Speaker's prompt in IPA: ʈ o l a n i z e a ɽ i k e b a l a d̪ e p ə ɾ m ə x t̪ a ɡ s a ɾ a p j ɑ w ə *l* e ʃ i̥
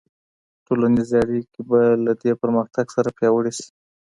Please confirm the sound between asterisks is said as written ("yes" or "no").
no